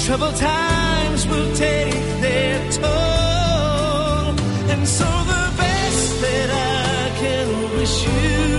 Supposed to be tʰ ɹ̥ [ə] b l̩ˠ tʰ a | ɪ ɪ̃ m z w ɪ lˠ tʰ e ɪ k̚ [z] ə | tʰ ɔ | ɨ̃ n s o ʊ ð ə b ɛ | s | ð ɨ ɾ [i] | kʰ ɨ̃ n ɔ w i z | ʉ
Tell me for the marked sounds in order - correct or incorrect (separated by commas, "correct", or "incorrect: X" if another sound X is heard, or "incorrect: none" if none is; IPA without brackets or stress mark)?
incorrect: ʌ, incorrect: ð, incorrect: a